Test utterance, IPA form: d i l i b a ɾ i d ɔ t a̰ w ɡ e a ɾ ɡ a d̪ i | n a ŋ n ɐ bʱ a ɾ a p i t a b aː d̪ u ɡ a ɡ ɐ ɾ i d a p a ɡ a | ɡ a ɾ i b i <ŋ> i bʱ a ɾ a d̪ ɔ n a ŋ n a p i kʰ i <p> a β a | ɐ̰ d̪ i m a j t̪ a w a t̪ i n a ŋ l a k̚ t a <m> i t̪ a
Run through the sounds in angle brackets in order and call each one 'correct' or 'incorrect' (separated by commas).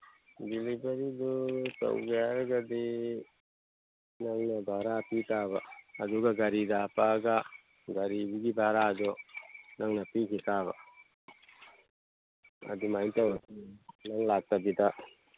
incorrect, incorrect, incorrect